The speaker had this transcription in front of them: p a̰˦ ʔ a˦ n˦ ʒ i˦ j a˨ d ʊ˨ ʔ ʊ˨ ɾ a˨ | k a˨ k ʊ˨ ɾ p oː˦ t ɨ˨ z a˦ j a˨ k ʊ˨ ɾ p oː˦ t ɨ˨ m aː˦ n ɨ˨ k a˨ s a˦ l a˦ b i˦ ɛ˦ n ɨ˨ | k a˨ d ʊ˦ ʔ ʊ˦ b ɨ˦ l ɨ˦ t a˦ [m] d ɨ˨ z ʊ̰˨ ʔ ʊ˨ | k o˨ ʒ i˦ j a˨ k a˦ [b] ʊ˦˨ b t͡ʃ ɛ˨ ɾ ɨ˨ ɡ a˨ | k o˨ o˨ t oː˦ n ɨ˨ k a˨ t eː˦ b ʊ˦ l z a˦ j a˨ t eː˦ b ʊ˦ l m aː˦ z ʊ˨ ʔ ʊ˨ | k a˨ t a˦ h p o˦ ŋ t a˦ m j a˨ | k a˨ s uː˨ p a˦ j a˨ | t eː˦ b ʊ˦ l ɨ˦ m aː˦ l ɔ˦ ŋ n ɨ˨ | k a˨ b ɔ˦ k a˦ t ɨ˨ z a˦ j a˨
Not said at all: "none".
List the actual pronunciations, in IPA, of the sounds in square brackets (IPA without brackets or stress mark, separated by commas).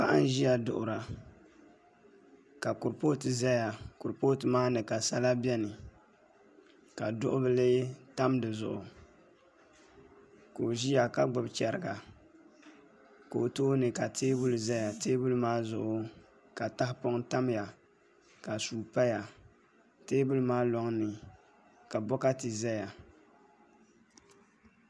m, ɡ͡b